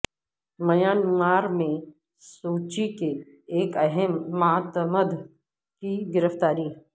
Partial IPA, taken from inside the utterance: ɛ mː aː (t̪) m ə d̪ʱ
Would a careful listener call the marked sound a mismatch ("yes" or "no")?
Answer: no